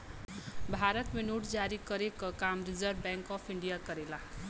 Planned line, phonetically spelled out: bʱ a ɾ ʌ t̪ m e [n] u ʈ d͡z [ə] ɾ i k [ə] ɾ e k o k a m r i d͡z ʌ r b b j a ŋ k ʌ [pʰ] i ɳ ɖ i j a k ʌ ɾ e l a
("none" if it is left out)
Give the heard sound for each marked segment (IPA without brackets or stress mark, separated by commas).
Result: n, a, ʌ, pʰ